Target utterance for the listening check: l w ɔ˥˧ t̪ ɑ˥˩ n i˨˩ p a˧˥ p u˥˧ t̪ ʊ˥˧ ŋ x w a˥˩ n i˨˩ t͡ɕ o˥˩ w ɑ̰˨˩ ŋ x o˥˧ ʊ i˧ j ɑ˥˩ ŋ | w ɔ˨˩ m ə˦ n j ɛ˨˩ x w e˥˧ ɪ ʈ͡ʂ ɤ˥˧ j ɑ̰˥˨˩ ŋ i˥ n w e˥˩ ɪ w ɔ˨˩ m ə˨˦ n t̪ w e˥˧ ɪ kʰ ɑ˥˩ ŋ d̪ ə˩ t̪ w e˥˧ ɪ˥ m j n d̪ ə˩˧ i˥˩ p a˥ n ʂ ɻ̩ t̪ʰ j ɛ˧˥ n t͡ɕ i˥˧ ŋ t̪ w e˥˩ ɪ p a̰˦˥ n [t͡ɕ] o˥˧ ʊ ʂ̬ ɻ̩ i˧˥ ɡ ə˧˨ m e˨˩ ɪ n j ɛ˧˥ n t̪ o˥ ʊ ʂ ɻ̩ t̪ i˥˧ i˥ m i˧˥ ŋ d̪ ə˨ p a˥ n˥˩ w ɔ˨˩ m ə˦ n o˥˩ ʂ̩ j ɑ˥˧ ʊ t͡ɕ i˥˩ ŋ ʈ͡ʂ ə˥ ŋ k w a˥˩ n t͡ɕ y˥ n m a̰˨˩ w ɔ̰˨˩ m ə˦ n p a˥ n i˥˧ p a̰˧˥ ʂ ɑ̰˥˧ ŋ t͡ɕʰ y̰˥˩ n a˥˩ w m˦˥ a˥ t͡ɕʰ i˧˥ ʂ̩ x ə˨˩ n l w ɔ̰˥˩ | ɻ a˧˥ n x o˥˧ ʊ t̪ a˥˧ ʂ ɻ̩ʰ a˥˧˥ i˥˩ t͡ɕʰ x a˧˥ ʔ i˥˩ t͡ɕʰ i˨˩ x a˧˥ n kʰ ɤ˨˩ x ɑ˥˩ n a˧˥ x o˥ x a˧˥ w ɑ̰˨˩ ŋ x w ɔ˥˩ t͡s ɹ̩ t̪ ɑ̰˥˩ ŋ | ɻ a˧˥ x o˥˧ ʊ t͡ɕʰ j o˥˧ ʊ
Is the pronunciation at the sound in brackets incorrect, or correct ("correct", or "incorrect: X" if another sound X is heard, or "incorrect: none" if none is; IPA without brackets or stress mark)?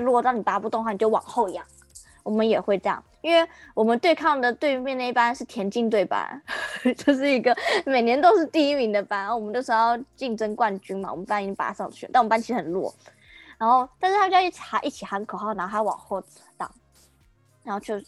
correct